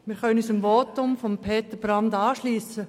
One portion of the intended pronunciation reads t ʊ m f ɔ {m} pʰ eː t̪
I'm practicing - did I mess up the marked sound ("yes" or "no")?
no